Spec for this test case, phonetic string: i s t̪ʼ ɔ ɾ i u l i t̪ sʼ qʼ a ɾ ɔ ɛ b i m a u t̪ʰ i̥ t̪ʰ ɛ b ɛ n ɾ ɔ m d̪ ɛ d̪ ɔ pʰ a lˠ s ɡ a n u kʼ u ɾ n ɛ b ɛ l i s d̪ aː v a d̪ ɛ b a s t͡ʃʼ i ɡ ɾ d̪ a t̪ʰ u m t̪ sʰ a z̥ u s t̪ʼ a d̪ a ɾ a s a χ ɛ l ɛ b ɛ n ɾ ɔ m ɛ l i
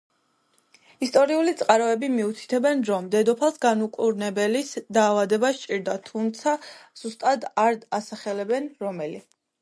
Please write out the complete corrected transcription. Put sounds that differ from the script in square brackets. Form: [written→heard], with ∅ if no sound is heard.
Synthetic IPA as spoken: i s t̪ʼ ɔ ɾ i u l i t̪ sʼ qʼ a ɾ ɔ ɛ b i m [a→i] u t̪ʰ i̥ t̪ʰ ɛ b ɛ n ɾ ɔ m d̪ ɛ d̪ ɔ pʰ a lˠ s ɡ a n u kʼ u ɾ n ɛ b ɛ l i s d̪ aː v a d̪ ɛ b a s t͡ʃʼ i [ɡ→∅] ɾ d̪ a t̪ʰ u m t̪ sʰ a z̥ u s t̪ʼ a d̪ a ɾ a s a χ ɛ l ɛ b ɛ n ɾ ɔ m ɛ l i